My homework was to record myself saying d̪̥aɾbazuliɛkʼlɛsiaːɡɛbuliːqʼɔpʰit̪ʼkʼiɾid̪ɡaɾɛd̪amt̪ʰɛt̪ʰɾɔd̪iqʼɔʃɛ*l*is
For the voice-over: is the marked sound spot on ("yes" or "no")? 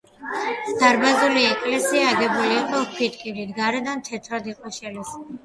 yes